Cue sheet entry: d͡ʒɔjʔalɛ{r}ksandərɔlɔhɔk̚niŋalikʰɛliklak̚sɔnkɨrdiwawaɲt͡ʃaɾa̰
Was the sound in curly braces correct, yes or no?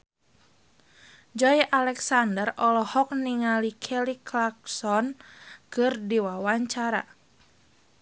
no